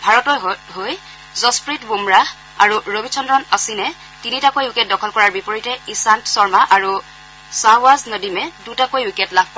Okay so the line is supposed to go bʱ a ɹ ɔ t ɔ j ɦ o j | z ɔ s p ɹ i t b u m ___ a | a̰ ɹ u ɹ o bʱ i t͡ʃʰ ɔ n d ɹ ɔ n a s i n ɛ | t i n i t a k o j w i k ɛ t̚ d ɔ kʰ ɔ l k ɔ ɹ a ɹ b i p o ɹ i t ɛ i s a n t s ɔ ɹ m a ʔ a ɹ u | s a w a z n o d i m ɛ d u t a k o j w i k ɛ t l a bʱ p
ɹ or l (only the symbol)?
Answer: ɹ